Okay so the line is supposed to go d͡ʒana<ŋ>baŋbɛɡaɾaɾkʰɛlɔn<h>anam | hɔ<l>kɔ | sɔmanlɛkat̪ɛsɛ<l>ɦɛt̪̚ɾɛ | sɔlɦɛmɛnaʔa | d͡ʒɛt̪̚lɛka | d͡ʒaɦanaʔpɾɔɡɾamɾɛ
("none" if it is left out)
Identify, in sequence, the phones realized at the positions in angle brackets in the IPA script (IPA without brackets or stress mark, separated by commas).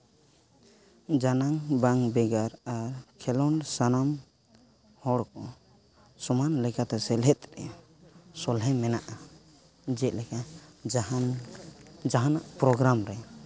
ŋ, s, ɽ, l